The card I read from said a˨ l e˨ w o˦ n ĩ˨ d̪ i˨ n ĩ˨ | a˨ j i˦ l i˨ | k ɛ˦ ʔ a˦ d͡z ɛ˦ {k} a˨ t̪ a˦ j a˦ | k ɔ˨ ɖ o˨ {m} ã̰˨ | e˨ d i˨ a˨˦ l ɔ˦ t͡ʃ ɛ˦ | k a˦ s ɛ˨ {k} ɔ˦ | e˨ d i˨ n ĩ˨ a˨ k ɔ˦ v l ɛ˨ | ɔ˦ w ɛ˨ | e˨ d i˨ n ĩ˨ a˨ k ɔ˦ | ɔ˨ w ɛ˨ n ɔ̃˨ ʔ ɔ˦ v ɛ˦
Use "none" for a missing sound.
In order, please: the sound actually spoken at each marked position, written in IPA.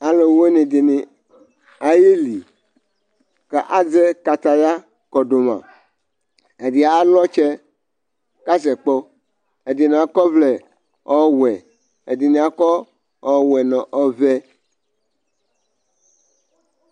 k, m, k͡p

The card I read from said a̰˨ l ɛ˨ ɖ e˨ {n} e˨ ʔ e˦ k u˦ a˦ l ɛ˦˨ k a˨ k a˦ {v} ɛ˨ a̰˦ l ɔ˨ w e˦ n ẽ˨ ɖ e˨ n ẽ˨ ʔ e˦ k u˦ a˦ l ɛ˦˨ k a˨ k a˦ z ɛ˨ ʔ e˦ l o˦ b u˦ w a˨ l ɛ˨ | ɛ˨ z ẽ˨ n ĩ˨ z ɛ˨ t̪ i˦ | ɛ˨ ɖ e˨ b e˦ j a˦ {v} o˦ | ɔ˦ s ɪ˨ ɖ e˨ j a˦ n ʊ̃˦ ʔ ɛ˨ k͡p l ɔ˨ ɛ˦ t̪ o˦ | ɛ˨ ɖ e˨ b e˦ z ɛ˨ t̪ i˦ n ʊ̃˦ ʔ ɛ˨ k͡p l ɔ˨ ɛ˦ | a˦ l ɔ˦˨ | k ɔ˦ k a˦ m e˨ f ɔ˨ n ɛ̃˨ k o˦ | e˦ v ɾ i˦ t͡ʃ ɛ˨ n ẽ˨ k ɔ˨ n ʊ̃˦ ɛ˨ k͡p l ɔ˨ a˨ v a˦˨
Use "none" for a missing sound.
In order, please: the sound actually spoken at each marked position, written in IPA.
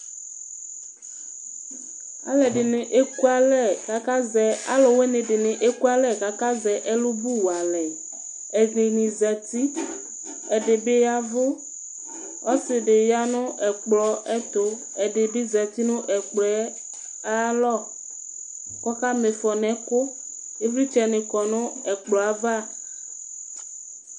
n, z, v

